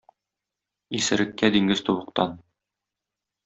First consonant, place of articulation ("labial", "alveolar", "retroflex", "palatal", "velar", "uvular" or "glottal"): alveolar